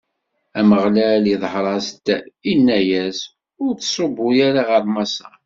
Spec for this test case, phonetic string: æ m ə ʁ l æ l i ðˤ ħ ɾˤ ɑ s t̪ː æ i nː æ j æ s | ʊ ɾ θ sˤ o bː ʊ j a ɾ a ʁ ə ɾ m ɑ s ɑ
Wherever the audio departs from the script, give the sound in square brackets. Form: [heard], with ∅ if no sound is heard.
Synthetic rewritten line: æ m ə ʁ l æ l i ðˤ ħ ɾˤ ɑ s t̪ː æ i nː æ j æ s | ʊ ɾ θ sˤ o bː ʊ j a ɾ a ʁ ə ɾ m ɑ s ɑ